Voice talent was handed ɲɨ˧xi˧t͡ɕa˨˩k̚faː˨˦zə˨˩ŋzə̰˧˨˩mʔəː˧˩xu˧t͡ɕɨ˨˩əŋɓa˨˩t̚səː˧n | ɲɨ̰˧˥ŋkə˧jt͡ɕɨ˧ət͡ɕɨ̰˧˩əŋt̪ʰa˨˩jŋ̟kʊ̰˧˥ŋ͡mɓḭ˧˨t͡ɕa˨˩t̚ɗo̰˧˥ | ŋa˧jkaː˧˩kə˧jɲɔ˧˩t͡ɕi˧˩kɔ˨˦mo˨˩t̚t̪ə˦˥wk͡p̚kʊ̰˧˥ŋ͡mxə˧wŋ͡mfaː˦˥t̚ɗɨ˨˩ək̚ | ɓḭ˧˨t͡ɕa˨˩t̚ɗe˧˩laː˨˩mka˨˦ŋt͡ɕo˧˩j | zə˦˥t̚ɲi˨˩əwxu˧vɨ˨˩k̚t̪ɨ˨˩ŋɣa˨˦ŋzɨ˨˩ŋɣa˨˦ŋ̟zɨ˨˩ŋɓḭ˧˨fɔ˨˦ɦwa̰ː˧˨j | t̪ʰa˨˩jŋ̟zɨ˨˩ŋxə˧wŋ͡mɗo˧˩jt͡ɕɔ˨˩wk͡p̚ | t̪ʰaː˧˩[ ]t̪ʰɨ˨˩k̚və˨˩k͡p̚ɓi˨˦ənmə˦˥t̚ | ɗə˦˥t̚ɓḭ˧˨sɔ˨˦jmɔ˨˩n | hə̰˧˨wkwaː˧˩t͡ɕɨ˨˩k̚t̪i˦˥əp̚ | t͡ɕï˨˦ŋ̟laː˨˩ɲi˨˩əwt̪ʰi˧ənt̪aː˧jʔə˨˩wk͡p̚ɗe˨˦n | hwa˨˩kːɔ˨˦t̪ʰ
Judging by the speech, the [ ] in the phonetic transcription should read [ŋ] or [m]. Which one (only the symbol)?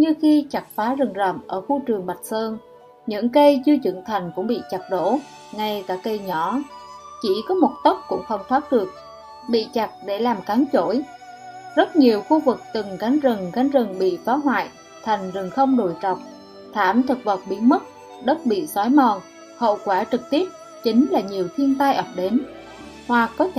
m